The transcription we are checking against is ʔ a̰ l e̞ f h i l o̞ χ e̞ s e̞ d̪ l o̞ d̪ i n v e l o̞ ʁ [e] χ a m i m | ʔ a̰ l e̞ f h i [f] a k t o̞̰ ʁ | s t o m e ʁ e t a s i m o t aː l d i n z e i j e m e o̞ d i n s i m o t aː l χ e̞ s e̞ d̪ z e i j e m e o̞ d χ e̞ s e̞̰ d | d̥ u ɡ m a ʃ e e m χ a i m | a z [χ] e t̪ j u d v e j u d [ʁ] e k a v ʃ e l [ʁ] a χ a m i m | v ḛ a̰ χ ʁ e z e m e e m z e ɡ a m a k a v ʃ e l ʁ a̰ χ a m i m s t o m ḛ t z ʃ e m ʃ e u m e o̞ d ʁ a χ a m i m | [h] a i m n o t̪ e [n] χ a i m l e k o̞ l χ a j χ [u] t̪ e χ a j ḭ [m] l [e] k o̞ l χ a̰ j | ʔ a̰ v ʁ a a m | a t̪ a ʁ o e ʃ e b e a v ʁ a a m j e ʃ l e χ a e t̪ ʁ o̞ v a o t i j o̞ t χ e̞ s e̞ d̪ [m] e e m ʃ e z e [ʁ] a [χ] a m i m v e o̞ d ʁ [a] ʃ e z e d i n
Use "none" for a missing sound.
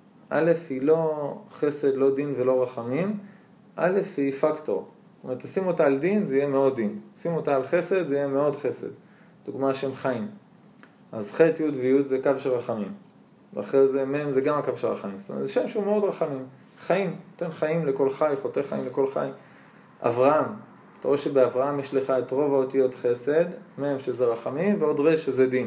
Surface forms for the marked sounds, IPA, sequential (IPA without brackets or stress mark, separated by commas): a, f, χ, z, ʁ, χ, n, o, m, e, m, ʁ, χ, e